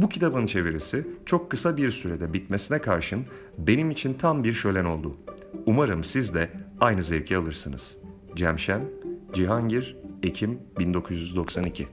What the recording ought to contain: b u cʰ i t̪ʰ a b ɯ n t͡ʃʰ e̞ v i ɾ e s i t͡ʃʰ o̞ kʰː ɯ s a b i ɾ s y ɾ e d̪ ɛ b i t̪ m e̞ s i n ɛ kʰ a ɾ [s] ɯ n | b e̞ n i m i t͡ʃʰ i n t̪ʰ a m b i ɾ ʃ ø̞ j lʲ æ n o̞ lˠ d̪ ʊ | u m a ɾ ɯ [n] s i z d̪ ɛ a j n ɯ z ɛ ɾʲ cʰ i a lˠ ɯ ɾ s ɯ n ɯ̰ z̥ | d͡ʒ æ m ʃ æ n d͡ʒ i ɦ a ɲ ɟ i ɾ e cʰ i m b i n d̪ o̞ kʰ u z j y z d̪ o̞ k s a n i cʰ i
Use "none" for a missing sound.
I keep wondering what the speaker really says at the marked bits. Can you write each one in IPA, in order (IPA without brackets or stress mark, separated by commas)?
ʃ, m